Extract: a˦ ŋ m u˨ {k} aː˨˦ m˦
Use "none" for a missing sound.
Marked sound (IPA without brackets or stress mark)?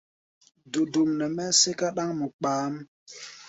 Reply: k͡p